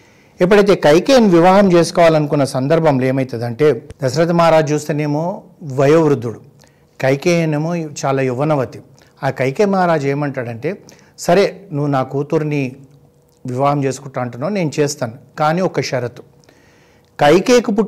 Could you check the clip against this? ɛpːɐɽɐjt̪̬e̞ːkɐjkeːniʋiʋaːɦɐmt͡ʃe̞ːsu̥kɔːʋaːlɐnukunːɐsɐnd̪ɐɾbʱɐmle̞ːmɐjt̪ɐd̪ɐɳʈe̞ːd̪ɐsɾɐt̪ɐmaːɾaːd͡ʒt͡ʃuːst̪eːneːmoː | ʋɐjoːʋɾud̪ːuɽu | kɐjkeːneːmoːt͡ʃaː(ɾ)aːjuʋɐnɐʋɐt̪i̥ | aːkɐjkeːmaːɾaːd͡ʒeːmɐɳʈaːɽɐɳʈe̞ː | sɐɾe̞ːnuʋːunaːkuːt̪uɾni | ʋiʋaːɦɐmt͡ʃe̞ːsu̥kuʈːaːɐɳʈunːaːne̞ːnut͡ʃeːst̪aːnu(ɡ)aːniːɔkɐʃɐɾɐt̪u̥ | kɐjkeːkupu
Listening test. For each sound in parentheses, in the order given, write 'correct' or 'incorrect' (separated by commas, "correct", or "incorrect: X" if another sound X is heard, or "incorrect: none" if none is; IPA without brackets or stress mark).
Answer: incorrect: l, incorrect: k